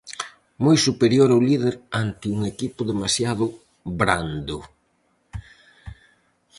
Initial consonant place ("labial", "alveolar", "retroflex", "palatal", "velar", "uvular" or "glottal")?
labial